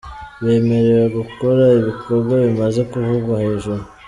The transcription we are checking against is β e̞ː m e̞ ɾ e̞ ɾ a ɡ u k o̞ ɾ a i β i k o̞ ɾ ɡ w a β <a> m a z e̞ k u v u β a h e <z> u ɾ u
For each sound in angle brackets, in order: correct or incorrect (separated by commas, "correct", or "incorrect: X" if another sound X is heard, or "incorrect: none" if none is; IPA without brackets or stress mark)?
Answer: incorrect: i, incorrect: ʒ